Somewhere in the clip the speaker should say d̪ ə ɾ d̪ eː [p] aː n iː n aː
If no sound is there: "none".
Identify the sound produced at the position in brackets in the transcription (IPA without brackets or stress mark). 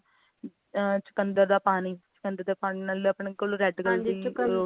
p